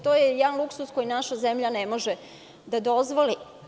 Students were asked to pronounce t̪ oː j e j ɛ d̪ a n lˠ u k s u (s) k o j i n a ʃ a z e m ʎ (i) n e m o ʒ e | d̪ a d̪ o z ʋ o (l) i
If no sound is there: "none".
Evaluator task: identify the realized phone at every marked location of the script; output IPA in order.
s, a, l

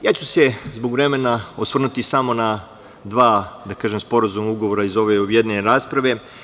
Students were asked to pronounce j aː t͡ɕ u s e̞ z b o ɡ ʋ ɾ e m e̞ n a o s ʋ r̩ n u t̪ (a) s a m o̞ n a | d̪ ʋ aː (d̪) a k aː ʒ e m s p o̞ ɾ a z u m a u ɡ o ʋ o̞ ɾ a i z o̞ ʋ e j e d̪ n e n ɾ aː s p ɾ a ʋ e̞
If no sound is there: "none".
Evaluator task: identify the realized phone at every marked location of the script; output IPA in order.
i, d̪

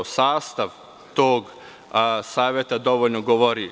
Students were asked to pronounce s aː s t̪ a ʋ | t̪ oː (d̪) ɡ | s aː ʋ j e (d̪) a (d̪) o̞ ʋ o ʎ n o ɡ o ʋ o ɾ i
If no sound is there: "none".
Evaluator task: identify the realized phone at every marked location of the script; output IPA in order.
none, t̪, d̪

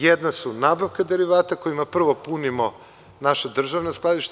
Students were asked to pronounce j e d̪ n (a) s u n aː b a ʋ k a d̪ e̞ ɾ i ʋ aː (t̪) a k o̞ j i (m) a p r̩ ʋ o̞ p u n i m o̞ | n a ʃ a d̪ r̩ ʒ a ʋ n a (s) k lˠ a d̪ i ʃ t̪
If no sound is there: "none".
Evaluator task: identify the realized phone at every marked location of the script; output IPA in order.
a, t̪, m, s

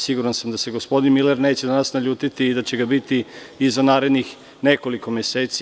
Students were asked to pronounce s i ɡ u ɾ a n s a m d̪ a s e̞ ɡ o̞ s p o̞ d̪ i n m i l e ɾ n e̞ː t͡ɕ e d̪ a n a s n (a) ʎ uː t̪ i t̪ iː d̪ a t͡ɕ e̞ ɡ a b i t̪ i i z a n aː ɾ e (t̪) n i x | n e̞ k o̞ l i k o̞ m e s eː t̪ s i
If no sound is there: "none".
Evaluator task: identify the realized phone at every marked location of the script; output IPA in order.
a, d̪

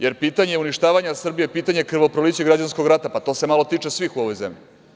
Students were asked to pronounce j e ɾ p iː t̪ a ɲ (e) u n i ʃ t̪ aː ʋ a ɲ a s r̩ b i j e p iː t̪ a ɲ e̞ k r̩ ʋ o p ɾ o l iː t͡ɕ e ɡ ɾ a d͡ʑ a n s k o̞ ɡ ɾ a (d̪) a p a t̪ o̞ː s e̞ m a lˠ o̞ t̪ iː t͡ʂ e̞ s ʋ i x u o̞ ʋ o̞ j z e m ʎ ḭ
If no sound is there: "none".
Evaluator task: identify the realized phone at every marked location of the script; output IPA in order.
e, t̪

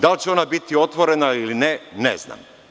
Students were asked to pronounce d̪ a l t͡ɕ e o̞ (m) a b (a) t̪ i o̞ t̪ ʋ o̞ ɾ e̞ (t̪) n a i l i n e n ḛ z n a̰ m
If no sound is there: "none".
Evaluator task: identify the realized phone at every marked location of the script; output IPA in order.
n, i, none

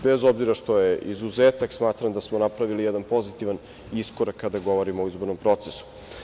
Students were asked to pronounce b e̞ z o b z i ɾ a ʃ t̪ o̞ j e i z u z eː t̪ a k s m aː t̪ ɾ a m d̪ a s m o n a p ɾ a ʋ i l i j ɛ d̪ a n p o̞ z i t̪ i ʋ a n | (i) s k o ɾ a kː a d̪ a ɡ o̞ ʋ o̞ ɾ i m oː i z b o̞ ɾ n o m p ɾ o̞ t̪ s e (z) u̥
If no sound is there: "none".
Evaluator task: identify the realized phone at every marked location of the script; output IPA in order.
i, s

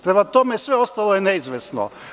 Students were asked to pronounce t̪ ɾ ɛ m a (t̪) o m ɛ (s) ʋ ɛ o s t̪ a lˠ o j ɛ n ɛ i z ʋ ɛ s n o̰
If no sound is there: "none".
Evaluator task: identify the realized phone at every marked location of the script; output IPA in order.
t̪, s

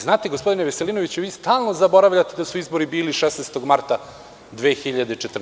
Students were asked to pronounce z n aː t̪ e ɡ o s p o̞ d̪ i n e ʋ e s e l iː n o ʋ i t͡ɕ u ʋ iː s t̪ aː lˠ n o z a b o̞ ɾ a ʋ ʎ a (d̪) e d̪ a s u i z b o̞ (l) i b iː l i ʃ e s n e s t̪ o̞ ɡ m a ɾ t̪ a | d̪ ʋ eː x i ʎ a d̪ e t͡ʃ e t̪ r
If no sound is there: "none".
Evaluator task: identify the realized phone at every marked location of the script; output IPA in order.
t̪, ɾ

